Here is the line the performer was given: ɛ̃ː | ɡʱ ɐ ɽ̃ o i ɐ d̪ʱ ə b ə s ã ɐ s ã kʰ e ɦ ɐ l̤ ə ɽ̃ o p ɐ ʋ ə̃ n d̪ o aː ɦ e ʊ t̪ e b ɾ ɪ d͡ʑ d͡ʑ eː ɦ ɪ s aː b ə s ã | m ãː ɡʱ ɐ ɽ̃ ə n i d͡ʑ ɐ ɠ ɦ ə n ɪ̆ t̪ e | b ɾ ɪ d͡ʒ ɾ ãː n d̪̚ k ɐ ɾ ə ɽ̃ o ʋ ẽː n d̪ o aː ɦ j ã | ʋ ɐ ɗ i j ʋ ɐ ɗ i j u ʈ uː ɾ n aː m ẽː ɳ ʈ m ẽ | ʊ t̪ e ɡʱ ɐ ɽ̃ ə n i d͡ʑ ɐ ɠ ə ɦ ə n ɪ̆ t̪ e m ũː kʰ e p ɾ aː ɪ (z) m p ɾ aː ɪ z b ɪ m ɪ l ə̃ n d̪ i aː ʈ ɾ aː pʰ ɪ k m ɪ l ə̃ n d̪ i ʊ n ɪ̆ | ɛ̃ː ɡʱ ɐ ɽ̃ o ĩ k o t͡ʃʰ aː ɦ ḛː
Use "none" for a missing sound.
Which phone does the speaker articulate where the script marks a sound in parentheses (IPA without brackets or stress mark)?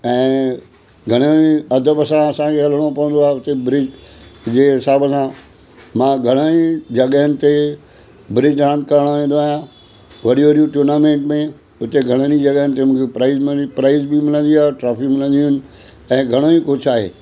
z